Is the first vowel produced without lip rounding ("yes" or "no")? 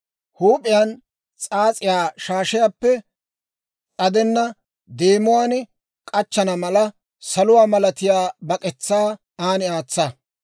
no